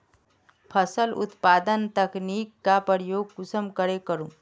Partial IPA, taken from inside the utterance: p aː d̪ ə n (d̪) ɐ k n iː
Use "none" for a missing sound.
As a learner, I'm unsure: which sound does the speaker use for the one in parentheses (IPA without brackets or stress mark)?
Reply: t̪